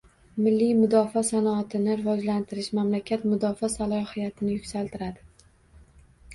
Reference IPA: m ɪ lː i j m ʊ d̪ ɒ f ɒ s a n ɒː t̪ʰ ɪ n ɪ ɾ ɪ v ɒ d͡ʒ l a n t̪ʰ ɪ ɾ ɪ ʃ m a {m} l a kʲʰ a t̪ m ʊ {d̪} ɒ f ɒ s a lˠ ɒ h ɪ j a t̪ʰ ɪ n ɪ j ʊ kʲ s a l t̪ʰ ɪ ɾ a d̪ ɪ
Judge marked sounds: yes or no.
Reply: yes, yes

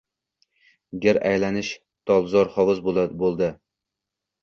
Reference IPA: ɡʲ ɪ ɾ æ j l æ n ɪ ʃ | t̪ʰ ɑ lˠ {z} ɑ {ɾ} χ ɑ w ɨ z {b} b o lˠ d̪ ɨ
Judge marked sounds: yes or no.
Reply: yes, yes, yes

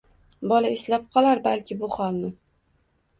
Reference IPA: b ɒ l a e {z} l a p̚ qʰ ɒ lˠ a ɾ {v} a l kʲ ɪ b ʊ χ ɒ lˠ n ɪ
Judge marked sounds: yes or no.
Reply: no, no

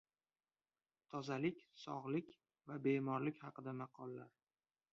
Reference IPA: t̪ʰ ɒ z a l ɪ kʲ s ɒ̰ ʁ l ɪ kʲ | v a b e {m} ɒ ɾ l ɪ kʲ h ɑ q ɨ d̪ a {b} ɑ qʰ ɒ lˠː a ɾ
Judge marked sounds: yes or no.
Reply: yes, no

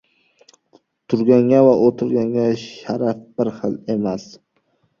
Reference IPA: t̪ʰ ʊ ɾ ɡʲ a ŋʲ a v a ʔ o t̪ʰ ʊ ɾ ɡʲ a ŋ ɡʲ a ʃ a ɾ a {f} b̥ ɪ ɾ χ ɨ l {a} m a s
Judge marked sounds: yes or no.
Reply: yes, no

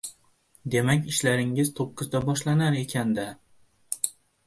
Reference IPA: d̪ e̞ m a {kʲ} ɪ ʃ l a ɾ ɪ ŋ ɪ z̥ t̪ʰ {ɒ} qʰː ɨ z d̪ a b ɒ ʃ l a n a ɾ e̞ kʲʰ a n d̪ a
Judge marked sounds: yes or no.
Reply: yes, no

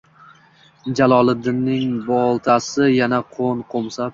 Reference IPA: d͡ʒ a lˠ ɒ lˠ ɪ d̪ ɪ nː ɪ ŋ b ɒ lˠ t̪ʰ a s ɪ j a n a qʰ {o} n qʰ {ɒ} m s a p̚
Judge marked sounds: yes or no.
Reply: yes, no

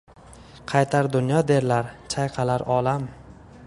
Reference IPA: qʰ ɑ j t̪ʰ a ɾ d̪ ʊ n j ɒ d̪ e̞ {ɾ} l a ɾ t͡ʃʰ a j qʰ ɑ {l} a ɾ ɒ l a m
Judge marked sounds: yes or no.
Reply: yes, yes

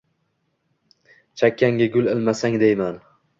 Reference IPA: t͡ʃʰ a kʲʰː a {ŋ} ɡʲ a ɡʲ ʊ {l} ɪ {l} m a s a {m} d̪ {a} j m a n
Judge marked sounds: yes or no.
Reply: yes, yes, yes, no, no

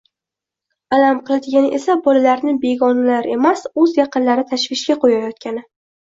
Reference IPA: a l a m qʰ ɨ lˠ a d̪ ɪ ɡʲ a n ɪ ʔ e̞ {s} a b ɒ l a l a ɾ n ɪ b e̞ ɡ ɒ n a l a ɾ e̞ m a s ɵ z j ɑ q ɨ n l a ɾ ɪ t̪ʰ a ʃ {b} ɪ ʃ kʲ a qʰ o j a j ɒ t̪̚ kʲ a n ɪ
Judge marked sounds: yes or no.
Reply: yes, no

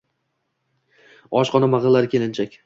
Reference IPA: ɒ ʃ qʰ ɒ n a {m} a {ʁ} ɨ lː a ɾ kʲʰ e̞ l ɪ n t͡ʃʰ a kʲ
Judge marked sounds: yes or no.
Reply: yes, yes

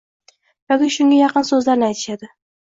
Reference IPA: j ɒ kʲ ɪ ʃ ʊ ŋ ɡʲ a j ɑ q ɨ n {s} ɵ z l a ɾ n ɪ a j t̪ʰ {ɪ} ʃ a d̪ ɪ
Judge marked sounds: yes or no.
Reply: yes, yes

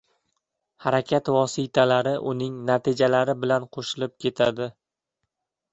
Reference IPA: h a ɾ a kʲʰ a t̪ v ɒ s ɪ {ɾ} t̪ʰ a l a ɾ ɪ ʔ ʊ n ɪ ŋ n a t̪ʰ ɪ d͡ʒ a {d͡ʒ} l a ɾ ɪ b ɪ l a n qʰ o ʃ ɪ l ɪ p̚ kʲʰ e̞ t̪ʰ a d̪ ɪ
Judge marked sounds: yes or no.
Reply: no, no

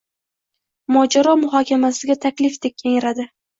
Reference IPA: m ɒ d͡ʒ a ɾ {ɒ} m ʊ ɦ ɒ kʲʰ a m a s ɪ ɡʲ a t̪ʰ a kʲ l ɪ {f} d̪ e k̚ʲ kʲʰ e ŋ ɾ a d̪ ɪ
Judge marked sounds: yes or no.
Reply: yes, yes

